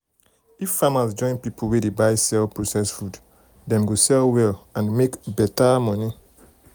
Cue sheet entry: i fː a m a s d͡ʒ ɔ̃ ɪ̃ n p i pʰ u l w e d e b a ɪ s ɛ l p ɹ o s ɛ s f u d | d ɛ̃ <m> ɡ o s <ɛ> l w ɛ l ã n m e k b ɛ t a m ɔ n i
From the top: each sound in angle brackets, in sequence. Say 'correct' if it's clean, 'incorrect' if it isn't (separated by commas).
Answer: correct, correct